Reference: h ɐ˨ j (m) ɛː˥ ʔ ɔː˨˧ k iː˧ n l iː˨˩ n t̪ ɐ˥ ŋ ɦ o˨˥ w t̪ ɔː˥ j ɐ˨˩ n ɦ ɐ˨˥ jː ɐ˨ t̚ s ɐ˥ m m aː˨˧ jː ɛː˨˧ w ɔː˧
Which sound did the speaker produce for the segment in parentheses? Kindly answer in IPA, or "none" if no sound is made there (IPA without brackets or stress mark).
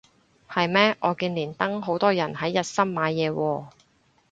m